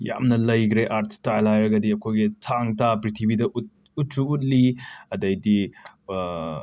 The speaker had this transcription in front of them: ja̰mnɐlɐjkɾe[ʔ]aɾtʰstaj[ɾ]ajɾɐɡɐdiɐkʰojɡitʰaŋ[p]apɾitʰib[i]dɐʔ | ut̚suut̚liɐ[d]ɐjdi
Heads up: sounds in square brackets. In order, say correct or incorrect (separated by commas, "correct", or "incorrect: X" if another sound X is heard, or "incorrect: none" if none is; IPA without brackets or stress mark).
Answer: correct, incorrect: l, incorrect: t, correct, correct